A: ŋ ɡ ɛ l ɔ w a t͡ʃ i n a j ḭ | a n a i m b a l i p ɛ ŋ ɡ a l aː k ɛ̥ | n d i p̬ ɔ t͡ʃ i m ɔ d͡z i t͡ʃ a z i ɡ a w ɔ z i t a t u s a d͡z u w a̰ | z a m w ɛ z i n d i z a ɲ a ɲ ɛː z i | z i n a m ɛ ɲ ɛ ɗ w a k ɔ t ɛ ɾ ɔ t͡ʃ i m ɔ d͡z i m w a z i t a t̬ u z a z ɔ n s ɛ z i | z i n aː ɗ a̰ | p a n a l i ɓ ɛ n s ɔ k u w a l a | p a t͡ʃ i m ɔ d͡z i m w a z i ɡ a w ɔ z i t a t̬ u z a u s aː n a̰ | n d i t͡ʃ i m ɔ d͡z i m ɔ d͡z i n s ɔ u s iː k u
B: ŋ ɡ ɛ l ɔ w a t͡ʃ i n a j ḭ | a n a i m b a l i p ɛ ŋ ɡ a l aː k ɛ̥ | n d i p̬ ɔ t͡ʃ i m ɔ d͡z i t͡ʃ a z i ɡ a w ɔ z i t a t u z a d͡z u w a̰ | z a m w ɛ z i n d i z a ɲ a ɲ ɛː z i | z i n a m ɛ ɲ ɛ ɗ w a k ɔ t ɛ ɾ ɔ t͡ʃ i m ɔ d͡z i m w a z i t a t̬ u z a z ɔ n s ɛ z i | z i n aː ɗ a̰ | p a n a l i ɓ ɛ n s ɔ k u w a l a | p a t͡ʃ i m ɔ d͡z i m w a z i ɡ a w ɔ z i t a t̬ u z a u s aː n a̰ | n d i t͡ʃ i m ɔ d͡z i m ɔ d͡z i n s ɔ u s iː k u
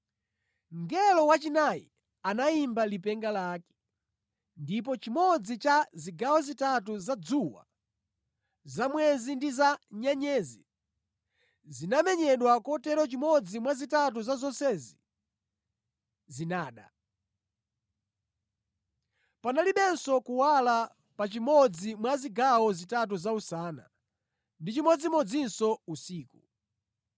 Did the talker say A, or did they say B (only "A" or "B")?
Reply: B